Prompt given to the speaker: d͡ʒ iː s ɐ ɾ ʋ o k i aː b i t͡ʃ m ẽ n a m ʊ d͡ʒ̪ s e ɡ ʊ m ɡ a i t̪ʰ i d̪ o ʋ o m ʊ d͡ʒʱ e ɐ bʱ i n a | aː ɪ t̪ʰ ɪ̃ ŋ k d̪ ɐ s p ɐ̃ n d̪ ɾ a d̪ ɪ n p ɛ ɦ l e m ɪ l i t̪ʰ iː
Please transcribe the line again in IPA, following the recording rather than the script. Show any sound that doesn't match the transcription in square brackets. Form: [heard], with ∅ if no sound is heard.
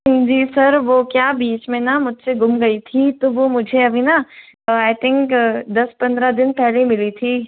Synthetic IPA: d͡ʒ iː s ɐ ɾ ʋ o k [j] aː b [iː] t͡ʃ m ẽ n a m ʊ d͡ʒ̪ s e ɡ ʊ m ɡ [ɐ] i t̪ʰ i [t̪] o ʋ o m ʊ d͡ʒʱ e ɐ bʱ i n a | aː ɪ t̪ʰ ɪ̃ ŋ k d̪ ɐ s p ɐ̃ n d̪ ɾ a d̪ ɪ n p ɛ ɦ l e m ɪ l i t̪ʰ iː